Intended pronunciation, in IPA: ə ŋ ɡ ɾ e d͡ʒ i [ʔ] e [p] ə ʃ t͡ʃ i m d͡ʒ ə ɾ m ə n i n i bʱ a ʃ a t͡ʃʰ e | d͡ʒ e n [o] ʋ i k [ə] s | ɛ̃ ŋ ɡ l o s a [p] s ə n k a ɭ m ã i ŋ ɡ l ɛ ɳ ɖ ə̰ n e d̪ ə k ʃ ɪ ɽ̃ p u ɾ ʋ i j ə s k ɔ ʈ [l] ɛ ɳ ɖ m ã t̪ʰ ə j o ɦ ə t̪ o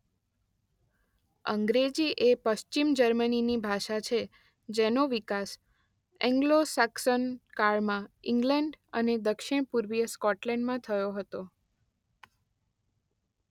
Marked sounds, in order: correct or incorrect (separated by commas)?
correct, correct, correct, incorrect, incorrect, correct